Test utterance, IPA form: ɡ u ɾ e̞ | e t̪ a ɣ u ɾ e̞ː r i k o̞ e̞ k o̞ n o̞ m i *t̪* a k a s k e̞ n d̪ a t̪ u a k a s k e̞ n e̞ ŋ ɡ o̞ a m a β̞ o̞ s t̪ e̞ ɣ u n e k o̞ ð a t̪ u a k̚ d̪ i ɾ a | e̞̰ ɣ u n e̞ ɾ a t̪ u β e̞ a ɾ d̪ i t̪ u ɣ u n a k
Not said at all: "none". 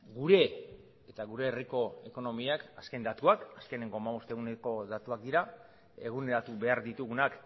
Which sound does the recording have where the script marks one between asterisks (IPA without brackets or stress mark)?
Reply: none